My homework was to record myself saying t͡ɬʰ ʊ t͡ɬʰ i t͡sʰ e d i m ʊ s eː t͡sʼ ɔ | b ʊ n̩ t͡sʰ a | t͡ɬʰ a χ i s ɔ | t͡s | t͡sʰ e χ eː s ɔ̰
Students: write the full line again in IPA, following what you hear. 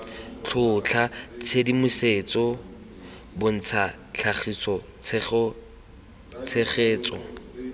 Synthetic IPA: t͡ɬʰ ʊ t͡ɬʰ a t͡sʰ e d i m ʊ s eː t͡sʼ ɔ | b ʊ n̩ t͡sʰ a | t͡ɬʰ a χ i s ɔ | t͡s | t͡sʰ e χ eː t͡s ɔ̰